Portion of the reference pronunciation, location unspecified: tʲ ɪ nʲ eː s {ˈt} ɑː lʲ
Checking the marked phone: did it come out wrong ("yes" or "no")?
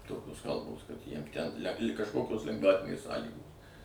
yes